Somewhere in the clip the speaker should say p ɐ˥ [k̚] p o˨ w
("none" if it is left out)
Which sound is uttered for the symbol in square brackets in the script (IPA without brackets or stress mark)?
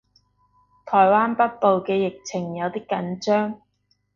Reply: t̚